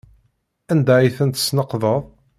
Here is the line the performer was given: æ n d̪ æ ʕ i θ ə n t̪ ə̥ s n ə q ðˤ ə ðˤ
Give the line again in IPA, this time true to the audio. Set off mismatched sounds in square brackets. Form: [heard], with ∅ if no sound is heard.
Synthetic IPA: æ n d̪ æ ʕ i θ ə n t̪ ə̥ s n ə q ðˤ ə ðˤ